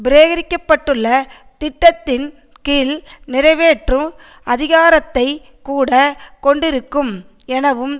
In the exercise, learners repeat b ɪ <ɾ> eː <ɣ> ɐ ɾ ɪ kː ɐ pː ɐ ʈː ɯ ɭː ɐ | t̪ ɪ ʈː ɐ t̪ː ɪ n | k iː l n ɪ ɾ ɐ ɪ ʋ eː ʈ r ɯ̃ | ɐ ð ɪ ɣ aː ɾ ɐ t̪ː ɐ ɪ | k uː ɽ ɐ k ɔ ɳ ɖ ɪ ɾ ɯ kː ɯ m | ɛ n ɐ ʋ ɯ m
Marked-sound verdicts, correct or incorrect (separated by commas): correct, correct